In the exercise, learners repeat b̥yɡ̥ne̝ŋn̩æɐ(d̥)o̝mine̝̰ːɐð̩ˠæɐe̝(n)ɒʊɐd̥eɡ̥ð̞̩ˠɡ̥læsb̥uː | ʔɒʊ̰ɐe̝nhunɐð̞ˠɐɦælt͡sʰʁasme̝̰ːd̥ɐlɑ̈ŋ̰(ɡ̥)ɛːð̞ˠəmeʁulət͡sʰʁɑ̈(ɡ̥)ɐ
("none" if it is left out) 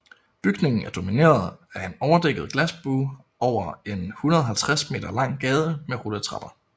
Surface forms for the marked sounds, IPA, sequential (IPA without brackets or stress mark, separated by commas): d̥, n, ɡ̥, b̥